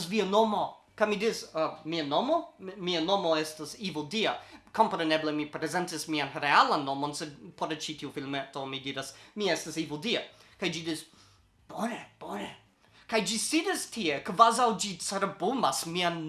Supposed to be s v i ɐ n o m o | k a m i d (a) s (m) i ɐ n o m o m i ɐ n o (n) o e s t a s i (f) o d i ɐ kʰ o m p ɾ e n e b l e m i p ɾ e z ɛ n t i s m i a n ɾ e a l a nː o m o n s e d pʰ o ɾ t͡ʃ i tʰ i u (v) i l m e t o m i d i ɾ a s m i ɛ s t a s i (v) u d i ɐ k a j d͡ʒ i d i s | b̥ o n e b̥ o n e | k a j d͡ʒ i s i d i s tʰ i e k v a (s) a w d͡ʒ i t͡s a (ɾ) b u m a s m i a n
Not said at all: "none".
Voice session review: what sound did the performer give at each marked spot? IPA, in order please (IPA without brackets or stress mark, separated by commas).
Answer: i, m, m, v, f, v, z, ɾ